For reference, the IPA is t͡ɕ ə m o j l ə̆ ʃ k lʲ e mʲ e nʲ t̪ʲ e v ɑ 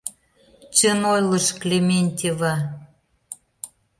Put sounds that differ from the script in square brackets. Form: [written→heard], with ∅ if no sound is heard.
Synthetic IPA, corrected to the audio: t͡ɕ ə [m→n] o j l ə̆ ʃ k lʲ e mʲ e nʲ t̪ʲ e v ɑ